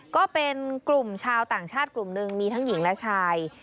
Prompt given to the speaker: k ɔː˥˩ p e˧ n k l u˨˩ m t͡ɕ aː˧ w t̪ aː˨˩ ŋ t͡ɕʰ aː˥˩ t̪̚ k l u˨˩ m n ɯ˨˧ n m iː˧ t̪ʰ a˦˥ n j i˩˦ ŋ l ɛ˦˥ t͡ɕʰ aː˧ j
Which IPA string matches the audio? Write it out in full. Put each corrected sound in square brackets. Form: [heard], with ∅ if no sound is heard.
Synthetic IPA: k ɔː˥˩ p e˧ n k l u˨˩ m [t͡ɕʰ] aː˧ w t̪ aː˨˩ ŋ t͡ɕʰ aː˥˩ t̪̚ k l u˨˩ m n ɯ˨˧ [ŋ] m iː˧ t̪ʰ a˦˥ [ŋ] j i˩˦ ŋ l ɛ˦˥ t͡ɕʰ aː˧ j